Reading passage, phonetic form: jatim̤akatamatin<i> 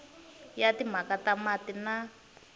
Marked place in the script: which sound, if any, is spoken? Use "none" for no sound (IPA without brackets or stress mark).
a